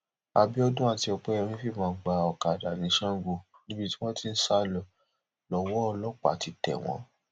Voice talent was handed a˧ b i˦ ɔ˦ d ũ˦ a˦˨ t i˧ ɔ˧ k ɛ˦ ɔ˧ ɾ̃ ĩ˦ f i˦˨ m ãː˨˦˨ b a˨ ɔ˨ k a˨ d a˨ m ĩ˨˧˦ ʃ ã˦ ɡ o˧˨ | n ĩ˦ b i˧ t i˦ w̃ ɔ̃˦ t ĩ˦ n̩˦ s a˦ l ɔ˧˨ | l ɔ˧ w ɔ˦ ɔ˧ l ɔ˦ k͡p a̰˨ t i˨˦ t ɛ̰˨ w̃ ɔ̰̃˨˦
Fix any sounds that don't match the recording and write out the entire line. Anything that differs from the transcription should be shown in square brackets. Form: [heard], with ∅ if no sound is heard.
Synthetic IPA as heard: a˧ b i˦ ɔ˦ d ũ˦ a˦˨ t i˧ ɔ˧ [k͡p] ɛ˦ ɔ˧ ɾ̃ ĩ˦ f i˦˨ m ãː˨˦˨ [ɡ͡b] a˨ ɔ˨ k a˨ d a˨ [n] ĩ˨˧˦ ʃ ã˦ ɡ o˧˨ | n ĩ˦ b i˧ t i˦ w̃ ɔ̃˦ t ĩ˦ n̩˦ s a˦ l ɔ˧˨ | l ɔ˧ w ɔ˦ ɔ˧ l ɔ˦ k͡p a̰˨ t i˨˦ t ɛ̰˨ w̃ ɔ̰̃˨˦